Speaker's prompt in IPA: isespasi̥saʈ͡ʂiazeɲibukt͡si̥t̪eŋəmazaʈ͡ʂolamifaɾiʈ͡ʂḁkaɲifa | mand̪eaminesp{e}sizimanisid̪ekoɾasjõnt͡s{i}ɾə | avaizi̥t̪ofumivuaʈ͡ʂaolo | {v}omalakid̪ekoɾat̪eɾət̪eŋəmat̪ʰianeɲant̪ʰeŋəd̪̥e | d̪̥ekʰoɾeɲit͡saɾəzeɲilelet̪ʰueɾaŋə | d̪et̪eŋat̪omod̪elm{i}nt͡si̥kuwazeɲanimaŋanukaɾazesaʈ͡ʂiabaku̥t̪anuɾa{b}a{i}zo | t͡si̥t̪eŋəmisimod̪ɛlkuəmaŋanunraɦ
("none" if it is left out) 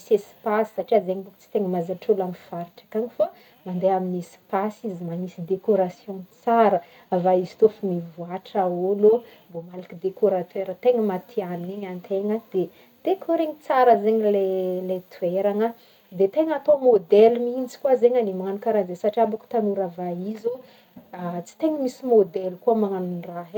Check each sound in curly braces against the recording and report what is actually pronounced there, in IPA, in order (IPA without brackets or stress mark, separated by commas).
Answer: a, a, b, i, v, i